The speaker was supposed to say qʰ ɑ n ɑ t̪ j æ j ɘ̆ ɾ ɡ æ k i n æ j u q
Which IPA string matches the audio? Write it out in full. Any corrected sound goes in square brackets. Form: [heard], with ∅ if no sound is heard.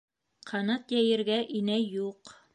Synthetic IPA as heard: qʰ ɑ n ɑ t̪ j æ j ɘ̆ ɾ ɡ æ [ʔ] i n æ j u q

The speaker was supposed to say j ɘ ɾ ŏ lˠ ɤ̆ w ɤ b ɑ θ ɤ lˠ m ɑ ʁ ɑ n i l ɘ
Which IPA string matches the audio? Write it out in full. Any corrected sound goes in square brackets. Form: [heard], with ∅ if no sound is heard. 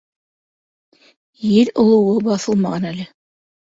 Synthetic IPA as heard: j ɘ ɾ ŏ lˠ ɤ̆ w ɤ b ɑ θ ɤ lˠ m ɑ ʁ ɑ n [æ] l ɘ

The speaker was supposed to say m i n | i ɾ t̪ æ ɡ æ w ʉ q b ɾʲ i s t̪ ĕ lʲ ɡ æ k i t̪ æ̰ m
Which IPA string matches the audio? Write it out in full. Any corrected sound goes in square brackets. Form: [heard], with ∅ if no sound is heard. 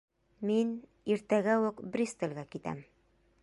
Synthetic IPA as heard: m i n | i ɾ t̪ æ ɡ æ w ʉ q b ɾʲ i s t̪ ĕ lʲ ɡ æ k i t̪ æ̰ m

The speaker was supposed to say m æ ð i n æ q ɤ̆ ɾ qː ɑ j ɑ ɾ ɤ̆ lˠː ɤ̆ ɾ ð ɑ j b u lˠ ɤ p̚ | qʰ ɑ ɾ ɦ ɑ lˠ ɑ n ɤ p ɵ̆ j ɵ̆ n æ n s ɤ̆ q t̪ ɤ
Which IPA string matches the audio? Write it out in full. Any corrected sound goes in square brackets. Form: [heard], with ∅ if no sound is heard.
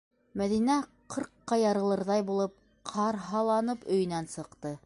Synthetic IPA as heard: m æ ð i n æ q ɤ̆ ɾ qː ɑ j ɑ ɾ ɤ̆ [lˠ] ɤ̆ ɾ ð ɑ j b u lˠ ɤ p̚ | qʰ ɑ ɾ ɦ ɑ lˠ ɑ n ɤ p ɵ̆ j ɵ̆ n æ n s ɤ̆ q t̪ ɤ

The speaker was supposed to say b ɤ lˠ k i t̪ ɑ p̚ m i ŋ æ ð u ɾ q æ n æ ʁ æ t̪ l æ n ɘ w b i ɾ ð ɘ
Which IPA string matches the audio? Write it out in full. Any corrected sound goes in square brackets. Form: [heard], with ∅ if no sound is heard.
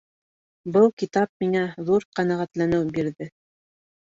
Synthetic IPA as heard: b ɤ lˠ k i t̪ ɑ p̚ m i ŋ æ ð u ɾ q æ n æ ʁ æ t̪ l æ n ɘ w b i ɾ ð ɘ

